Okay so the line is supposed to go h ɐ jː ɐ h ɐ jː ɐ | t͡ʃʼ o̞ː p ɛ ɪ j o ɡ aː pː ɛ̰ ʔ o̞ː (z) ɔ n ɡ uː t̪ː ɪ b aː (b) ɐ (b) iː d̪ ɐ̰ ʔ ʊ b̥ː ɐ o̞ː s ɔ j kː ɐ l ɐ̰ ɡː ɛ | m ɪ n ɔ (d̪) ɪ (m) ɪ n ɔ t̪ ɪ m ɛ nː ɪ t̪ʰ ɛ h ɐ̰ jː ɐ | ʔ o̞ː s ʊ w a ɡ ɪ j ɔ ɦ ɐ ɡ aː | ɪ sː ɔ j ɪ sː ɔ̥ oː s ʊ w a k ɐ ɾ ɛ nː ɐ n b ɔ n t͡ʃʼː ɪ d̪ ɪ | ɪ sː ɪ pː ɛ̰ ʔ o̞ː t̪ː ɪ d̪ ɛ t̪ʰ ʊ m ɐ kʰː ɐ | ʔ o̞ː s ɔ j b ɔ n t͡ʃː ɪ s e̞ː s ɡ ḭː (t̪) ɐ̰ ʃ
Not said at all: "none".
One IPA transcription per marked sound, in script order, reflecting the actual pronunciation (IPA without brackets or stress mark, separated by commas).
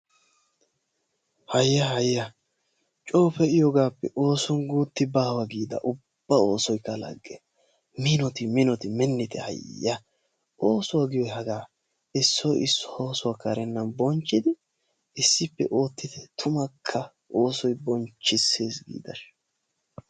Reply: s, w, ɡ, t̪, m, d̪